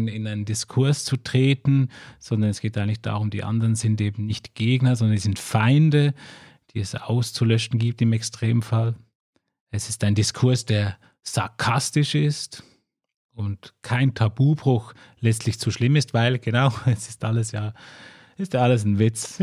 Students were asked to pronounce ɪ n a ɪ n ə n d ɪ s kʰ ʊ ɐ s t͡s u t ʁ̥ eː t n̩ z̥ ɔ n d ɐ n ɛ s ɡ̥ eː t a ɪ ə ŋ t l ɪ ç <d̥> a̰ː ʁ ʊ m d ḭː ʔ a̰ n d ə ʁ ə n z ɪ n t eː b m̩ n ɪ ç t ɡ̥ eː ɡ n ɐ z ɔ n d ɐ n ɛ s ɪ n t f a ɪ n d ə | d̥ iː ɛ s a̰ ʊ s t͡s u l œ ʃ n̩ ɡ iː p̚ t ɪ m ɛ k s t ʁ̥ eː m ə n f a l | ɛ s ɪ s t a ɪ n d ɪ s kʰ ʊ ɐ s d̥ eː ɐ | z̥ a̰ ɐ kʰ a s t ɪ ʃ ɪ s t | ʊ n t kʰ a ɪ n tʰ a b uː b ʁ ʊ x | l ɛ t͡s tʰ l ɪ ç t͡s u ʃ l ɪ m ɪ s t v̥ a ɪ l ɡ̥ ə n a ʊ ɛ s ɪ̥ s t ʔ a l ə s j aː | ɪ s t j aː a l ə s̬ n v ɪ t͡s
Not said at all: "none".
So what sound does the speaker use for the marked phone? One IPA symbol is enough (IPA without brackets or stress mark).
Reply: d̥